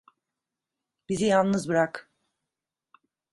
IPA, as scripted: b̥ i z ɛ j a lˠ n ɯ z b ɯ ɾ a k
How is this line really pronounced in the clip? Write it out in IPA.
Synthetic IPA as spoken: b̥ i z i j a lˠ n ɯ z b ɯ ɾ a k